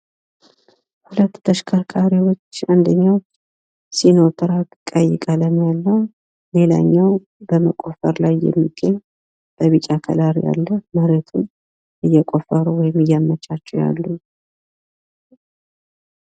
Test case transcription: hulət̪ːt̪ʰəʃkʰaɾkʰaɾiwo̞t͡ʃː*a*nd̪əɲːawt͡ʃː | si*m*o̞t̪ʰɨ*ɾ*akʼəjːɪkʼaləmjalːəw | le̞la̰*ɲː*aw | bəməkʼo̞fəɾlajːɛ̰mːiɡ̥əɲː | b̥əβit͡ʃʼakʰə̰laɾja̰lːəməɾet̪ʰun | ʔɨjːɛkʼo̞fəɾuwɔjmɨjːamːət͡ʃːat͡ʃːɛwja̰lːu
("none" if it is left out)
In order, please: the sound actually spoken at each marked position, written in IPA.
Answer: a, n, ɾ, ɲː

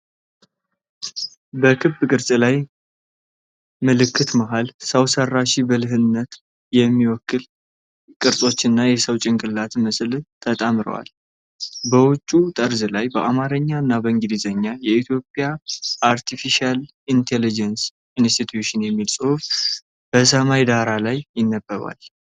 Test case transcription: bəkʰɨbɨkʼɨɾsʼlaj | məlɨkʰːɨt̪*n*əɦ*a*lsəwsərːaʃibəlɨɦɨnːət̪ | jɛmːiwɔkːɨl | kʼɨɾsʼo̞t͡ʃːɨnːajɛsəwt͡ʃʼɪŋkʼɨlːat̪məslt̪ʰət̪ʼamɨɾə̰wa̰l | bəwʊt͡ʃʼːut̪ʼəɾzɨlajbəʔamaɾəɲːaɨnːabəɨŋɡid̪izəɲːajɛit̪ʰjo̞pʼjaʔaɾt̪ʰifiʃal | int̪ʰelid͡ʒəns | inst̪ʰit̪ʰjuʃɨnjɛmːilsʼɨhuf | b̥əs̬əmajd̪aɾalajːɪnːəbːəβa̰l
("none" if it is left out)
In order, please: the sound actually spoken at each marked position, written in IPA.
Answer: m, a

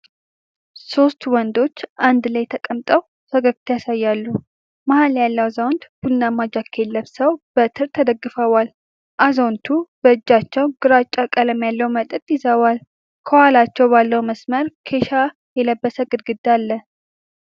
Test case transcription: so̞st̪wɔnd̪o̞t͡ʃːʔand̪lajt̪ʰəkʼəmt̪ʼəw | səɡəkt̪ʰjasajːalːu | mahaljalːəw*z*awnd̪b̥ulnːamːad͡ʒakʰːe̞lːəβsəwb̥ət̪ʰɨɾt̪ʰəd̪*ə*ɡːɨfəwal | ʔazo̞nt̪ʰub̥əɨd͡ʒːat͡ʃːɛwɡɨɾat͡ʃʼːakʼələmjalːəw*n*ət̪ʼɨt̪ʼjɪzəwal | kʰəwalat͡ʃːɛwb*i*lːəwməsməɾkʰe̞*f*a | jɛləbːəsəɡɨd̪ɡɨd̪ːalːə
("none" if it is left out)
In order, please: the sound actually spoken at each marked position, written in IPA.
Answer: z, ə, m, a, ʃ

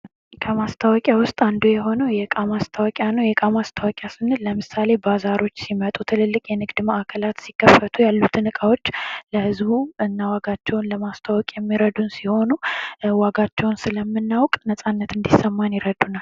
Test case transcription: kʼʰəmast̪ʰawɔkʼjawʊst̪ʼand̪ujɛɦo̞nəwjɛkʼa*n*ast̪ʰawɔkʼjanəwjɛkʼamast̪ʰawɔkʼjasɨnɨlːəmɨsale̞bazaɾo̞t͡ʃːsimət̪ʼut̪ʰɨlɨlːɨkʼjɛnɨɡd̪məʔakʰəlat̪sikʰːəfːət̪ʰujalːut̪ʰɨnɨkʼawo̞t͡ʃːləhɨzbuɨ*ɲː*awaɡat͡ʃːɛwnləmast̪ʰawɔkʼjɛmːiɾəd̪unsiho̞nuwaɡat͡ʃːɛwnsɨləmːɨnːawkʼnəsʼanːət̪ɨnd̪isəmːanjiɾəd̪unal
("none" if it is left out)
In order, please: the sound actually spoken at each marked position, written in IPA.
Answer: m, nː

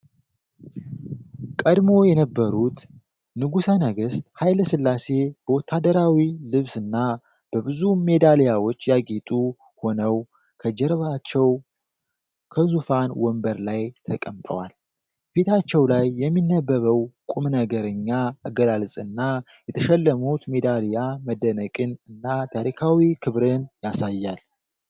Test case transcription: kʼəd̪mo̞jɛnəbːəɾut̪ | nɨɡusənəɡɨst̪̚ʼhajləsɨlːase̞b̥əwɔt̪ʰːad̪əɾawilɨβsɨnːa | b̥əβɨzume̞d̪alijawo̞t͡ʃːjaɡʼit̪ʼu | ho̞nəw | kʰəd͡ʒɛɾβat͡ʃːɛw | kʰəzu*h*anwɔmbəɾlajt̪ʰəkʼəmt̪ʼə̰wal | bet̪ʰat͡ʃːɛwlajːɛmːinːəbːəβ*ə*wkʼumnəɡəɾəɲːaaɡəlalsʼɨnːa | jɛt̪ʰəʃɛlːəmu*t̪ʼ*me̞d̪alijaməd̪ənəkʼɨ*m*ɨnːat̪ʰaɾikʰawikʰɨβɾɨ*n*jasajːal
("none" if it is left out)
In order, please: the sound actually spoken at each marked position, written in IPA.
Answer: f, ə, t̪, n, n

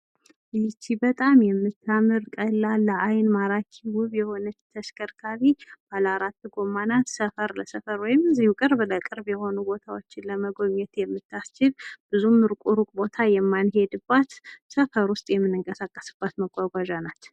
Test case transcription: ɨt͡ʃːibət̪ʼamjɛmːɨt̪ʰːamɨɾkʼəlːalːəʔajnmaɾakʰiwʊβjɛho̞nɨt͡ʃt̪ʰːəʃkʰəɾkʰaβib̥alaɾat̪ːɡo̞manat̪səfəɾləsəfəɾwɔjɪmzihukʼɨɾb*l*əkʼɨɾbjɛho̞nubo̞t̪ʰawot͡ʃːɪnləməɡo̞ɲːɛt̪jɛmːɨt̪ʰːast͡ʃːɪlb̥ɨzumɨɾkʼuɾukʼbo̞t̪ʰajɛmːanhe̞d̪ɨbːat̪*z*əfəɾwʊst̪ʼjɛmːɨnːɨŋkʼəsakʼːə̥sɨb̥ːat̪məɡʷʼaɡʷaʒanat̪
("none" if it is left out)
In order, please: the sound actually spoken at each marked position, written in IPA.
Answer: l, s

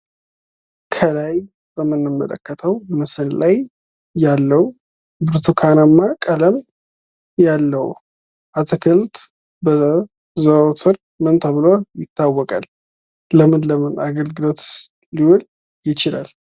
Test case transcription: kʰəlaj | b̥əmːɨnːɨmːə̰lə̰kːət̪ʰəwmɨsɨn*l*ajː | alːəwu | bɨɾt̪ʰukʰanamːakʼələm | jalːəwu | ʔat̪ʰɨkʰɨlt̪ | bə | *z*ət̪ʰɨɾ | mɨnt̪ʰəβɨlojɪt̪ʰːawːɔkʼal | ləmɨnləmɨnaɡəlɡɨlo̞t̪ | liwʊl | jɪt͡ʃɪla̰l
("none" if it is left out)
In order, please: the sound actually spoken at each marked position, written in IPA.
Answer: l, z

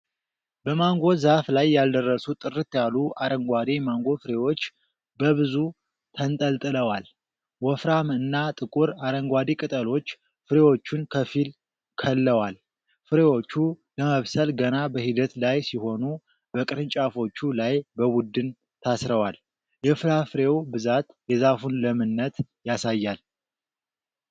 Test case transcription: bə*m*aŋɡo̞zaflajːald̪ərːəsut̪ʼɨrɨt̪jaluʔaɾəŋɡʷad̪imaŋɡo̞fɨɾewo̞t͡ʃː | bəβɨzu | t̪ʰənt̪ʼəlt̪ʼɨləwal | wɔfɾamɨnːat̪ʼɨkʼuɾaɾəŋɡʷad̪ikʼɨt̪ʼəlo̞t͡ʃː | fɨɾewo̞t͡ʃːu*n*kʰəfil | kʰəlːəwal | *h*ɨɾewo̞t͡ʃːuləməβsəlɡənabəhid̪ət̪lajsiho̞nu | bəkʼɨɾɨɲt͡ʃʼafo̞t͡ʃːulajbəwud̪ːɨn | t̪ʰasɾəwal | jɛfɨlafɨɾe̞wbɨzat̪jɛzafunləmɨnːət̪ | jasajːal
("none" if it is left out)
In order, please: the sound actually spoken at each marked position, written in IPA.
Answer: m, n, f

